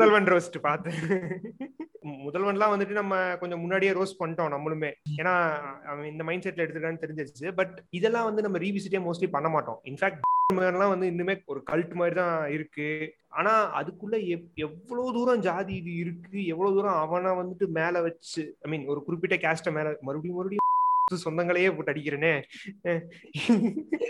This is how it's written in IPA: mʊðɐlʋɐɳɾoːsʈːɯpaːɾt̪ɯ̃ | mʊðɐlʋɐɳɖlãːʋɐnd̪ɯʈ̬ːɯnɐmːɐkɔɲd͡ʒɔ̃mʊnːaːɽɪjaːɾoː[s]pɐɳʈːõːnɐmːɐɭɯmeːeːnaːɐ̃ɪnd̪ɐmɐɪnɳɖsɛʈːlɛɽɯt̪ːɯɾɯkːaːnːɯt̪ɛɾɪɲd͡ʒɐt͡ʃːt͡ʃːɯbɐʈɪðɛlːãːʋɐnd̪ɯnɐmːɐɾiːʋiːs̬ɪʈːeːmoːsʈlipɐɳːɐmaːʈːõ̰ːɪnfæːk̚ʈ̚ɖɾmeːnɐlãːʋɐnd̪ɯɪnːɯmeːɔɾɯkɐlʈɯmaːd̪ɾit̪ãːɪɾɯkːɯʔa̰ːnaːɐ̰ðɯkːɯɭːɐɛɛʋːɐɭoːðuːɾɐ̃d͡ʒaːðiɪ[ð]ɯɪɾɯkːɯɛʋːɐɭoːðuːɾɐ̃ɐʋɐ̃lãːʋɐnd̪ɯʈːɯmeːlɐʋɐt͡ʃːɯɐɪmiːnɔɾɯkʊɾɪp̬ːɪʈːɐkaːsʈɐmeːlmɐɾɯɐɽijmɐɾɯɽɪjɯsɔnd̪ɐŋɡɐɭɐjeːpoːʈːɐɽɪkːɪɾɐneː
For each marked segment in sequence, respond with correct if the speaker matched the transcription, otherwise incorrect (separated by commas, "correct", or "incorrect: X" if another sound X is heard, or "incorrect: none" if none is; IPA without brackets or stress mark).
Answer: correct, correct